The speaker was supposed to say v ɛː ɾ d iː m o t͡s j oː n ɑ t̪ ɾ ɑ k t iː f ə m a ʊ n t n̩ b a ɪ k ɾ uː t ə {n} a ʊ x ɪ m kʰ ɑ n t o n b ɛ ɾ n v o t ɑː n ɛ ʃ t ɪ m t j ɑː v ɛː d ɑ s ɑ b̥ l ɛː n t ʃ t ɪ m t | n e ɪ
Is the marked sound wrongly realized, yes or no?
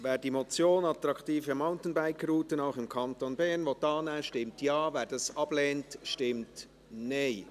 no